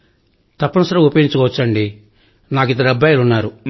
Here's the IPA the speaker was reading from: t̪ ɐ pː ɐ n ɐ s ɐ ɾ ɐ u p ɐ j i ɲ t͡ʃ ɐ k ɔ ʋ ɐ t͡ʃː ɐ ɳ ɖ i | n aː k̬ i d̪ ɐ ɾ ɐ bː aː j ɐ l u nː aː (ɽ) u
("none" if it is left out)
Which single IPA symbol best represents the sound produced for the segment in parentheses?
ɾ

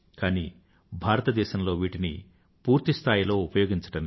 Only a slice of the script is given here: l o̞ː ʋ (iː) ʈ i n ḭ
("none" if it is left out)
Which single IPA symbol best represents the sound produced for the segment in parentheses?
iː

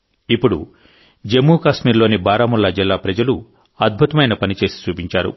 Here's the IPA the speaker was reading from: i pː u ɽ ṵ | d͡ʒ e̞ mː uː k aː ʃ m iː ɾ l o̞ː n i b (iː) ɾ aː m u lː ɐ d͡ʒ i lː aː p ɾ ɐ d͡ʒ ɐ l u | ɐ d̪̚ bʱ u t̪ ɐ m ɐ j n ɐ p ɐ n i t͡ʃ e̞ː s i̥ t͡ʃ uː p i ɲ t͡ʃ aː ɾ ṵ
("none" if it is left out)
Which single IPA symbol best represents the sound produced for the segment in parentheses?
aː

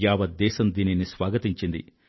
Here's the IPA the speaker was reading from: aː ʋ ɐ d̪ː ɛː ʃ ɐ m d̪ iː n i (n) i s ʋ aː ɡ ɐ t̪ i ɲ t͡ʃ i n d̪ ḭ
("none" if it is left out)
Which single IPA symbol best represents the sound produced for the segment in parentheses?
n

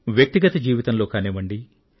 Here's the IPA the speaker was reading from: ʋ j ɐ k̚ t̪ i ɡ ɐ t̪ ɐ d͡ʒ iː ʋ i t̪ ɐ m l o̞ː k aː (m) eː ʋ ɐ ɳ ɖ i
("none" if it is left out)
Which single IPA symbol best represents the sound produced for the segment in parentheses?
n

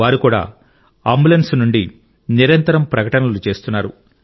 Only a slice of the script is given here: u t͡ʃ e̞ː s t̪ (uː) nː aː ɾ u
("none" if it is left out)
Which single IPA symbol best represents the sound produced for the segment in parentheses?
u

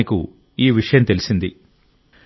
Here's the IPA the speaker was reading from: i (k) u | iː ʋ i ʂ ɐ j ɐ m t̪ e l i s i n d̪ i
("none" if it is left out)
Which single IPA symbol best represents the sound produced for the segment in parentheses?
k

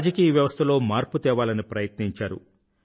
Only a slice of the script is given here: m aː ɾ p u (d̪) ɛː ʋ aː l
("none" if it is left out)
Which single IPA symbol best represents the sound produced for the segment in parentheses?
t̪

